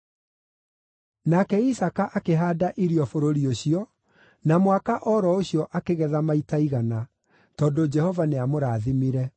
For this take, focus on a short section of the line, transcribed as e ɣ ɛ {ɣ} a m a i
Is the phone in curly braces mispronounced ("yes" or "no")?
yes